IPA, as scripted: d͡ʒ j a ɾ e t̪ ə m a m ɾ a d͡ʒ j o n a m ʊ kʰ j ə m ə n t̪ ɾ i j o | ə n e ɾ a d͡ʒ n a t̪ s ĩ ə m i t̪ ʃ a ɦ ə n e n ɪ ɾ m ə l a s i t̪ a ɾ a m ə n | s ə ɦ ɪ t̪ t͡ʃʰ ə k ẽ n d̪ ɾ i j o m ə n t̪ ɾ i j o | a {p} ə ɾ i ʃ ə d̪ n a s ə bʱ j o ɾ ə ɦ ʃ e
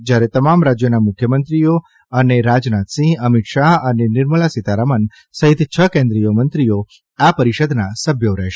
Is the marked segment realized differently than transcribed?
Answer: no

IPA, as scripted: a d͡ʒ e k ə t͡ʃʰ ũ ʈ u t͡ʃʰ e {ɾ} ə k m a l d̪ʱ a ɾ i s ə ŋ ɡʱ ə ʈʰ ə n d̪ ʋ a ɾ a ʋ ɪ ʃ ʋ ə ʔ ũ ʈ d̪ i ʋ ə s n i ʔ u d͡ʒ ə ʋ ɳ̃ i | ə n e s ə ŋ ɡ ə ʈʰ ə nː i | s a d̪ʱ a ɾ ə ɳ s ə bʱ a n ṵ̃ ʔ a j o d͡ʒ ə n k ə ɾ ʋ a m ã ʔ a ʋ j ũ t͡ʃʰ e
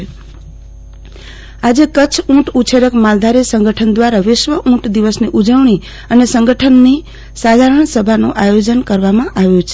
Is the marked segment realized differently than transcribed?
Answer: no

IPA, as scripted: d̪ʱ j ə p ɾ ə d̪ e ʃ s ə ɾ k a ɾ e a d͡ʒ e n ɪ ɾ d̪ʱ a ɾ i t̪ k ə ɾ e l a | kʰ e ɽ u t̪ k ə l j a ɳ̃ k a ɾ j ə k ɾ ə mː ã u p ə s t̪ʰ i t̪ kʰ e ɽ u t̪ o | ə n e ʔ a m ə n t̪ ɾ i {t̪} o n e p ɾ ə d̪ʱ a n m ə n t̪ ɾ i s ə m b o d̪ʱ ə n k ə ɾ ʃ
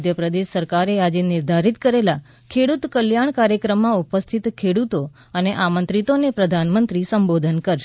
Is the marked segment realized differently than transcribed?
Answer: no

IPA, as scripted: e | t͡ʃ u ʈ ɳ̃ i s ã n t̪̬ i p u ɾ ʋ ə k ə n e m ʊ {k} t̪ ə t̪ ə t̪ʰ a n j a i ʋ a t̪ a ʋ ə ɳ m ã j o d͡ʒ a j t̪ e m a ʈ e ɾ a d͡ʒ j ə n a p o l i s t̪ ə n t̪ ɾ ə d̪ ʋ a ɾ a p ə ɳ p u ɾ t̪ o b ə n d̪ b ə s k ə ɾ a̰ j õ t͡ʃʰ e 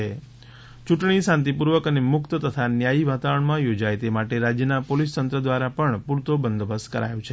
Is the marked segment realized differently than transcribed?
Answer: no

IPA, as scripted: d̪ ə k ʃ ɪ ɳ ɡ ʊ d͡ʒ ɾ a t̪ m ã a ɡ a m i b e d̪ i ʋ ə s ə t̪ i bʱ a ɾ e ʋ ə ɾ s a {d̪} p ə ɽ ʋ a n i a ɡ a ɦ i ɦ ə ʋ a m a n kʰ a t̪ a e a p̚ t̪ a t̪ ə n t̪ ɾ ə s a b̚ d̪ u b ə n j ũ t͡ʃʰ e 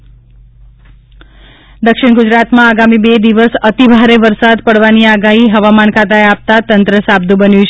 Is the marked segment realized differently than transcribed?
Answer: no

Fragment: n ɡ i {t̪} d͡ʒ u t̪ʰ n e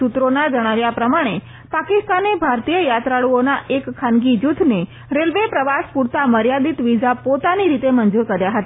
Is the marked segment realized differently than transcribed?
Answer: yes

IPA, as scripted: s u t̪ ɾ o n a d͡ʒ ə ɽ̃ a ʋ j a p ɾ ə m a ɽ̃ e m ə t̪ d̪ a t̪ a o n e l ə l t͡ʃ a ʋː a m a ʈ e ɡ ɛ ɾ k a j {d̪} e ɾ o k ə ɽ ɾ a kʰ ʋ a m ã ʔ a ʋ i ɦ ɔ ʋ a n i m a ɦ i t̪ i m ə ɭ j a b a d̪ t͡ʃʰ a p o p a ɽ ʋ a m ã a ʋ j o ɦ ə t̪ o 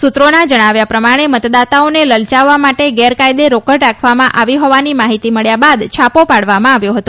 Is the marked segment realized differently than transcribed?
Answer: no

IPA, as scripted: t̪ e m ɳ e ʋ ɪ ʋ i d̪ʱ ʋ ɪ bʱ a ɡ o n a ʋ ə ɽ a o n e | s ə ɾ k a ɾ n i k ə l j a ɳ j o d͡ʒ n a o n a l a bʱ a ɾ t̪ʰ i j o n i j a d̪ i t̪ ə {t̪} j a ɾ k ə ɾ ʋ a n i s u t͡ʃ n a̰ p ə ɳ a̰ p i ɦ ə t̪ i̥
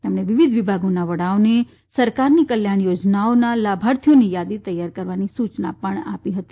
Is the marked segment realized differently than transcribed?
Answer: yes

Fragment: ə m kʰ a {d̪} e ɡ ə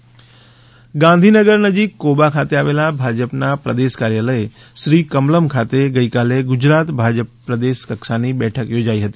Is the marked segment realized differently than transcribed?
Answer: yes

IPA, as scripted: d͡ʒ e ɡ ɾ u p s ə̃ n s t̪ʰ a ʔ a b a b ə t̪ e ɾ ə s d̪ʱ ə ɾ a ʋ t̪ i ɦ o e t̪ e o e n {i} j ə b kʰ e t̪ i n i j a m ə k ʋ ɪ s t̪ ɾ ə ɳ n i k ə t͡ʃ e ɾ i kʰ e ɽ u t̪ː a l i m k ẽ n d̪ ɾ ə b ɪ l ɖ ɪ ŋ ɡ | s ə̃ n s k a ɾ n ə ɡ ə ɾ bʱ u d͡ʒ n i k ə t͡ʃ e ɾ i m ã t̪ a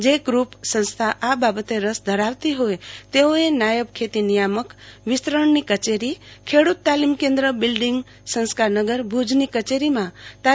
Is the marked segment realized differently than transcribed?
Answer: yes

